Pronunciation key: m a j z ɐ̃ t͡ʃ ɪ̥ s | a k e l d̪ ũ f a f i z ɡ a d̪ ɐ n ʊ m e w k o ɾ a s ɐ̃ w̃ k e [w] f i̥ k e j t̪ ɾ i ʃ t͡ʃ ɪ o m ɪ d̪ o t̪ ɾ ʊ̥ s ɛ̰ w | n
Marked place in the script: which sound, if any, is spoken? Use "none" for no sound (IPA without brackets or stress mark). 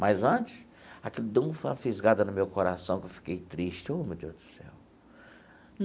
w